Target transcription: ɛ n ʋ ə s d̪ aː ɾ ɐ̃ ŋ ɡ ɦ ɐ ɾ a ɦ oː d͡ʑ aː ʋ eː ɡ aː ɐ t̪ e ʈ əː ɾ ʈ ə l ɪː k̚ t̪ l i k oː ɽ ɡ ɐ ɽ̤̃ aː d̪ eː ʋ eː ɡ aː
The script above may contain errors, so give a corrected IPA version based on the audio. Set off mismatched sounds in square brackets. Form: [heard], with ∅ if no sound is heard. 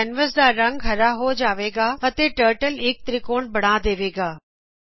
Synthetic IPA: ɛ n ʋ ə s d̪ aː ɾ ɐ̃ ŋ ɡ ɦ ɐ ɾ a ɦ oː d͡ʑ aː ʋ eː ɡ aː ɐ t̪ e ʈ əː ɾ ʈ ə l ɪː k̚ t̪ [ɾ] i k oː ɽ [b] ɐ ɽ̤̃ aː d̪ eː ʋ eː ɡ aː